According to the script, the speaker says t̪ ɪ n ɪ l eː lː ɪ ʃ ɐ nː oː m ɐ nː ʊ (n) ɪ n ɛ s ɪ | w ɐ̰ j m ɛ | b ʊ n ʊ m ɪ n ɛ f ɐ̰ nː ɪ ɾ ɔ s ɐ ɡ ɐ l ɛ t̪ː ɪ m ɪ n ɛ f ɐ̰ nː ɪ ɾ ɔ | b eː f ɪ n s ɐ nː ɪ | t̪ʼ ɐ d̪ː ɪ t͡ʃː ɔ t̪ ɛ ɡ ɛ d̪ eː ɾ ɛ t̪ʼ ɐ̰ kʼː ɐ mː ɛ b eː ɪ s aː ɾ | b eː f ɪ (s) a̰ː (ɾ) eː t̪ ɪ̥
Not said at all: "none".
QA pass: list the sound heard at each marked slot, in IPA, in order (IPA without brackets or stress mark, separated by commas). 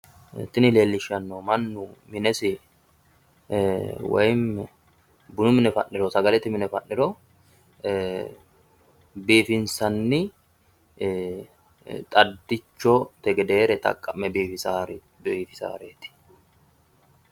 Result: m, s, ɾ